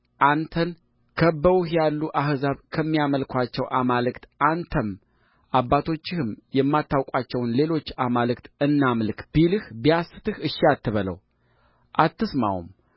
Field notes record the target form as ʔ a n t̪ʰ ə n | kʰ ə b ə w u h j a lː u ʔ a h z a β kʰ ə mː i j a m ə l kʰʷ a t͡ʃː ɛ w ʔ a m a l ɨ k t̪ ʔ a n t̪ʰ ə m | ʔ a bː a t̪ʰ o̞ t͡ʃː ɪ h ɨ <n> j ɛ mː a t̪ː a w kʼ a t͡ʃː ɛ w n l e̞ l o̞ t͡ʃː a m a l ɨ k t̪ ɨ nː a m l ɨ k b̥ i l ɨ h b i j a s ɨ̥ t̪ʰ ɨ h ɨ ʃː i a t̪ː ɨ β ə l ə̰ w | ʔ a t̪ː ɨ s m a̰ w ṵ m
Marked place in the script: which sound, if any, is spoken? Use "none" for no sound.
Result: m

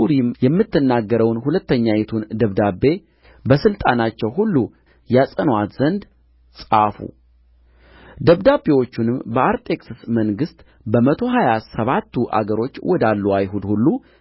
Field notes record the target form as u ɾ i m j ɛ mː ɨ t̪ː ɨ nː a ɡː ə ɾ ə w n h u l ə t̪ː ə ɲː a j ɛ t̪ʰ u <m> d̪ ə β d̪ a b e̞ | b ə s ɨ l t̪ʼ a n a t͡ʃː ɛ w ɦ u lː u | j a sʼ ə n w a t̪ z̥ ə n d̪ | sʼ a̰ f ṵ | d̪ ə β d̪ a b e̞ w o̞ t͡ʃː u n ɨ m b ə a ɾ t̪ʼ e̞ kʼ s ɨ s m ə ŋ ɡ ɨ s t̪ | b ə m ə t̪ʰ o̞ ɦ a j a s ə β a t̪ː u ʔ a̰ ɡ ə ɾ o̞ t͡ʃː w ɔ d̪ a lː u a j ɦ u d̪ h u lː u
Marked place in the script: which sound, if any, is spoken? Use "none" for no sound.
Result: n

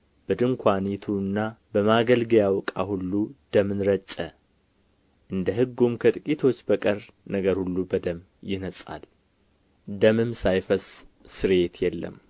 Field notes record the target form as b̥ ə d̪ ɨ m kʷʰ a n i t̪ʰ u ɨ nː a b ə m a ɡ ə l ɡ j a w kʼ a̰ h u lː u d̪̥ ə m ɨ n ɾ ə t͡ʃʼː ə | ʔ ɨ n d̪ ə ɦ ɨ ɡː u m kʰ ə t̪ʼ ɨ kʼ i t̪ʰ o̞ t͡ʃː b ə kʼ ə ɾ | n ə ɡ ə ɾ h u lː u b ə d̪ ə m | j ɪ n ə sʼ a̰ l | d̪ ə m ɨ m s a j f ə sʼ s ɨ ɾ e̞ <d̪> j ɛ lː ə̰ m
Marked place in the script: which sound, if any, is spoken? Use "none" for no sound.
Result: t̪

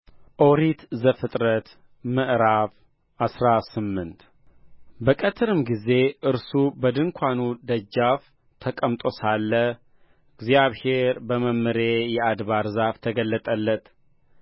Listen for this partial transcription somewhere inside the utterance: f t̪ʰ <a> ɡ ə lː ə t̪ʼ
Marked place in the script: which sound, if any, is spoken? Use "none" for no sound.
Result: ə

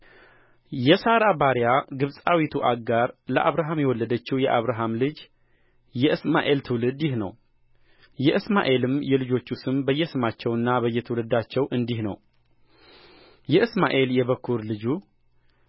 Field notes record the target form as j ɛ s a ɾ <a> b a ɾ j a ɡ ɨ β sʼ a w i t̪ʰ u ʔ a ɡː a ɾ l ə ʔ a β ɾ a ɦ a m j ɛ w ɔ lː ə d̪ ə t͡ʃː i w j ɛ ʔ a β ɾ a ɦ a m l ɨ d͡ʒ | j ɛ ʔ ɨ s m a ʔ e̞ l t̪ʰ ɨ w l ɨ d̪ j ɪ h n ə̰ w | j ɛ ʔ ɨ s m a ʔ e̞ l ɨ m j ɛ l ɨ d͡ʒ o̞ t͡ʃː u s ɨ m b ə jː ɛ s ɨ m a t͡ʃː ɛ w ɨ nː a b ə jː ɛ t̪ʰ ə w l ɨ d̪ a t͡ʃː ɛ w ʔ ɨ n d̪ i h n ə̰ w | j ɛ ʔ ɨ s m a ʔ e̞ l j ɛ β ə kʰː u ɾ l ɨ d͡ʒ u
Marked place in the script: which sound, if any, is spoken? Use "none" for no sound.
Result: a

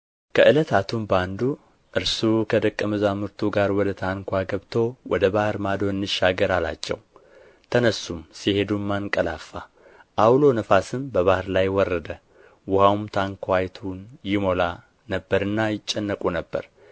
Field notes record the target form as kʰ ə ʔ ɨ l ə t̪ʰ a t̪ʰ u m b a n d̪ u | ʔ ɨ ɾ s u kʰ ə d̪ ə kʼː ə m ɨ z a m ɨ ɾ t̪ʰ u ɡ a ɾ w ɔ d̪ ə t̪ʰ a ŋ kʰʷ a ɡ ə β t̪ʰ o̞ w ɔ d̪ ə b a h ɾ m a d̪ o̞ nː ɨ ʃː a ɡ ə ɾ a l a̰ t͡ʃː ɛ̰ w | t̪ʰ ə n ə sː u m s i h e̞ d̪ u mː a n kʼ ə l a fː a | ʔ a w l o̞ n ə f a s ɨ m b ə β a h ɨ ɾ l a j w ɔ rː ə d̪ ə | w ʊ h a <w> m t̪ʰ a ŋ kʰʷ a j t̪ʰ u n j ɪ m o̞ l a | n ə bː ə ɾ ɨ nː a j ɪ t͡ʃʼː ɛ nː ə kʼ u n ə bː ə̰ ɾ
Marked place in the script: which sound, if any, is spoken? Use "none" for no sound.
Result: w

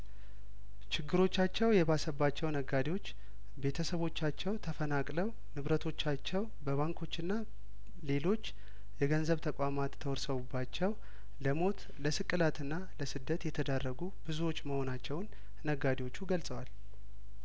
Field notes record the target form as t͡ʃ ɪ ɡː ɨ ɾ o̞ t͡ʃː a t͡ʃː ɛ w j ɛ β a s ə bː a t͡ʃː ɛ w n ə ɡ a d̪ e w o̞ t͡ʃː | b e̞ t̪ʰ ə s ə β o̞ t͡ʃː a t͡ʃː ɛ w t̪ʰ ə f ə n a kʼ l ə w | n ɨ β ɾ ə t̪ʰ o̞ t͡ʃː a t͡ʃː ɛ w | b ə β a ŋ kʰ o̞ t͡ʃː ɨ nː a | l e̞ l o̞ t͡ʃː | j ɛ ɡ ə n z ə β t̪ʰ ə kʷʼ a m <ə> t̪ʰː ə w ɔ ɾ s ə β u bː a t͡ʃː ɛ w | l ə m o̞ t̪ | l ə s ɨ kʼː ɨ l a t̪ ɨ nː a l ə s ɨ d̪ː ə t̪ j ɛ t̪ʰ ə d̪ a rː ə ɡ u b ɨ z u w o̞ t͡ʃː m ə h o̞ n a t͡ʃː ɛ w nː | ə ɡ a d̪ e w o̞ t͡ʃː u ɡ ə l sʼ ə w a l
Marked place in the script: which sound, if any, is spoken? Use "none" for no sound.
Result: a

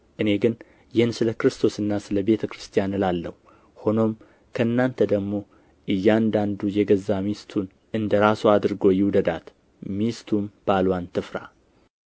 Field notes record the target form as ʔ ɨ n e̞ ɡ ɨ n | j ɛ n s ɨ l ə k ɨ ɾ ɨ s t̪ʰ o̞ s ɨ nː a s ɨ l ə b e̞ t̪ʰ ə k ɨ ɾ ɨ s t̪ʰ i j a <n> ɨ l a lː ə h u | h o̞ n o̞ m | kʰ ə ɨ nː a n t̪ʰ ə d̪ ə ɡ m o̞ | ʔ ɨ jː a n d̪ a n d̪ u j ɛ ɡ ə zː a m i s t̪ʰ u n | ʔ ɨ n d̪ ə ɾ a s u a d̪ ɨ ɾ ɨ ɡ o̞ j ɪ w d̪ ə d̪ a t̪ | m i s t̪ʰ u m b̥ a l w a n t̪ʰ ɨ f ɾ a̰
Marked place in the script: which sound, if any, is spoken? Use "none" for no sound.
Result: n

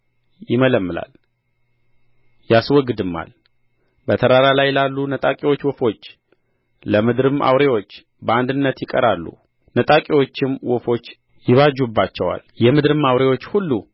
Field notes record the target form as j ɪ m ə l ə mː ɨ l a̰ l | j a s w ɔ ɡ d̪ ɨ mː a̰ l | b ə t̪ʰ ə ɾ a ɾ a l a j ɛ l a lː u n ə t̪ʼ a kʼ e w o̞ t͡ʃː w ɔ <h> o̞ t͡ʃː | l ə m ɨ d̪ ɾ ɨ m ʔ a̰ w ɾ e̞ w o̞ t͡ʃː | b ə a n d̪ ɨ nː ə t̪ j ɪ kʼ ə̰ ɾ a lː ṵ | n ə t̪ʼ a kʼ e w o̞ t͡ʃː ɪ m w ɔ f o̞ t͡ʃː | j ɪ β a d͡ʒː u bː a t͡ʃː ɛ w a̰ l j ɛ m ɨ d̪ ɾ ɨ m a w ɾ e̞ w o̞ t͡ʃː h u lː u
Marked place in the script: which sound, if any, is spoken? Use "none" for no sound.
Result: f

